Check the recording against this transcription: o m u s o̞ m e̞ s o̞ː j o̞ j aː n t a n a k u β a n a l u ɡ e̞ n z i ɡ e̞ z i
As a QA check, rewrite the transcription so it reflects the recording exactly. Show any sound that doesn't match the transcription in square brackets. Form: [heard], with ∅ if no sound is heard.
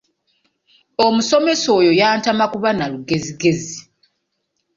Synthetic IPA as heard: o m u s o̞ m e̞ s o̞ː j o̞ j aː n t a [m] a k u β a n a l u ɡ e̞ [∅] z i ɡ e̞ z i